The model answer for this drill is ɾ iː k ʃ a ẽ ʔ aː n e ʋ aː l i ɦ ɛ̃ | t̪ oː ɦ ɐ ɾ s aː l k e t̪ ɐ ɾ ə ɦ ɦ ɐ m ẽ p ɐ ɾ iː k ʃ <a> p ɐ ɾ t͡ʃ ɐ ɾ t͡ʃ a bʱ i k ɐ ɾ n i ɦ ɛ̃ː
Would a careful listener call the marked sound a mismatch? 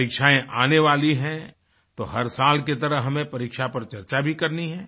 no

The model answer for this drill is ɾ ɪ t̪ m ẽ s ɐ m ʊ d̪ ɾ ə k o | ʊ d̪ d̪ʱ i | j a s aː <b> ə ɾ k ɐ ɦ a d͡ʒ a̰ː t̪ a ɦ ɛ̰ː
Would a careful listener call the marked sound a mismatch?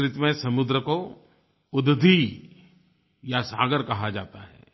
yes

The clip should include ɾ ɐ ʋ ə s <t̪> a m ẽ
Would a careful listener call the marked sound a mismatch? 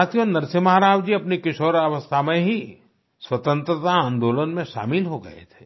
yes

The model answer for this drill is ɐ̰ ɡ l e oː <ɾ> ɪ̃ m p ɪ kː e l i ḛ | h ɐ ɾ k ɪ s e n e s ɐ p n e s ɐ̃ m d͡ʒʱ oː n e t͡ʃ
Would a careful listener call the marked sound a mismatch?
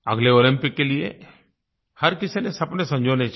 yes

